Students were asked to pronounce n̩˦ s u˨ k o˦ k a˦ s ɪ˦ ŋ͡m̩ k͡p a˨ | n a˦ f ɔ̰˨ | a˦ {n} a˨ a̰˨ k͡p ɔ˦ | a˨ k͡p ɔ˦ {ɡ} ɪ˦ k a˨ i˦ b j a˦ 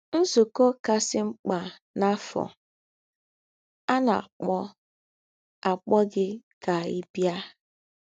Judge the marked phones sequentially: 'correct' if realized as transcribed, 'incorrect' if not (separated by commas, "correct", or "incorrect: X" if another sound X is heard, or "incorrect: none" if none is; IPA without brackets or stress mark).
correct, correct